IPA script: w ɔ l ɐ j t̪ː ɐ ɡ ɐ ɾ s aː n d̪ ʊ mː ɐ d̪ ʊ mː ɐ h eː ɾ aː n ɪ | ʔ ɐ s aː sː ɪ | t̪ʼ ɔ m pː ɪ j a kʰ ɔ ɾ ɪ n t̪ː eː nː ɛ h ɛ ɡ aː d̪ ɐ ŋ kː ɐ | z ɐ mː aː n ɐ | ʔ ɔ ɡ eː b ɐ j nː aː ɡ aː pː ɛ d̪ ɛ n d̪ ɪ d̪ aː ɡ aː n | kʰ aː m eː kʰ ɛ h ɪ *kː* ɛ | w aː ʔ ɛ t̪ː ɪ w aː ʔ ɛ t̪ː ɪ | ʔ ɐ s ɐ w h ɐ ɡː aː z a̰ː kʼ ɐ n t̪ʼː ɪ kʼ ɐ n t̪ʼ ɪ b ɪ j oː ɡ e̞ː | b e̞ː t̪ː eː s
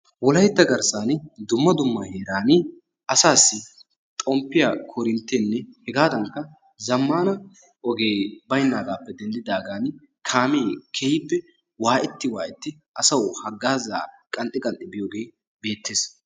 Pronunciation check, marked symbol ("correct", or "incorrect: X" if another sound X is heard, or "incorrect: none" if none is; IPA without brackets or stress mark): incorrect: pː